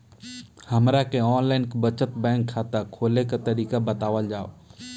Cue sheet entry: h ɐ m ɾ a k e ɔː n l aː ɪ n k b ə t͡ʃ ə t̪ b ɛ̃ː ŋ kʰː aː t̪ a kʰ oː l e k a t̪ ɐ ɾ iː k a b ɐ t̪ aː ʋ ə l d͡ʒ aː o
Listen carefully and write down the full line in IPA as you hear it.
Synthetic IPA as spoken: h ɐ m ɾ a k e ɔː n l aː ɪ n k b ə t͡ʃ ə t̪ b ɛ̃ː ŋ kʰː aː t̪ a kʰ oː l e k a t̪ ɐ ɾ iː k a b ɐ t̪ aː ʋ ə l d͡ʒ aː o